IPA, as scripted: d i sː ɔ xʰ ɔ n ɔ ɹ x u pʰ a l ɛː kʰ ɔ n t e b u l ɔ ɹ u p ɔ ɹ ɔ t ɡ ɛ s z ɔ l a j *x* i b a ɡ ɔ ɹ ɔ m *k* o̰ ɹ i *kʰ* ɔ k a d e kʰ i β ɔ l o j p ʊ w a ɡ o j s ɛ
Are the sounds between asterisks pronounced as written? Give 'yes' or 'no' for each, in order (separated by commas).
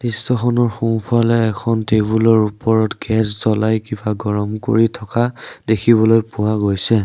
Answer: no, yes, no